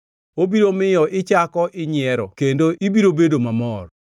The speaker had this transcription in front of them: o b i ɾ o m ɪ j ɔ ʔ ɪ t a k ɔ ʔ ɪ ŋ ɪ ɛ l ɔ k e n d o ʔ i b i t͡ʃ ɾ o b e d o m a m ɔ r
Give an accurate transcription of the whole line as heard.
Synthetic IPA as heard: o b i ɾ o m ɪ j ɔ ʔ ɪ t͡ʃ a k ɔ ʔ ɪ ɲ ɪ ɛ ɾ ɔ k e n d o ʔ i b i ɾ o b e d o m a m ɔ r